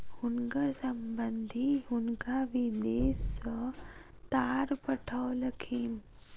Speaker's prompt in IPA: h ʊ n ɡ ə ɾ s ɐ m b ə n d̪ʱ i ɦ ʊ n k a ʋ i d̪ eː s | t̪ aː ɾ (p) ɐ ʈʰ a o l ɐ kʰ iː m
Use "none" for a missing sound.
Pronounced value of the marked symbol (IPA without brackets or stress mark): p